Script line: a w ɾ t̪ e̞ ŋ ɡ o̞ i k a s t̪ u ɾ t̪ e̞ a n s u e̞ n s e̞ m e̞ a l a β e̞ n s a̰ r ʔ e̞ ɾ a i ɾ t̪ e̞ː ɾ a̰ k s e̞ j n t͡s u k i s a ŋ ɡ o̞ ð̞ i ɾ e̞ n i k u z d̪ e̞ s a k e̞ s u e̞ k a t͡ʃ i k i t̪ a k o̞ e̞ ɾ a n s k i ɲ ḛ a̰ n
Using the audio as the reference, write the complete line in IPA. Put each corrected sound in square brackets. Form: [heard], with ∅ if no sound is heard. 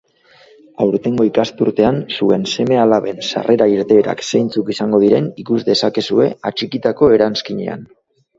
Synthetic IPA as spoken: a w ɾ t̪ e̞ ŋ ɡ o̞ i k a s t̪ u ɾ t̪ e̞ a n s u e̞ n s e̞ m e̞ a l a β e̞ n s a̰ r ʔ e̞ ɾ a i ɾ t̪ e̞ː ɾ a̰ k s e̞ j n t͡s u k i s a ŋ ɡ o̞ ð̞ i ɾ e̞ n i k u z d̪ e̞ s a k e̞ s u e̞ [∅] a t͡ʃ i k i t̪ a k o̞ e̞ ɾ a n s k i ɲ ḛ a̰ n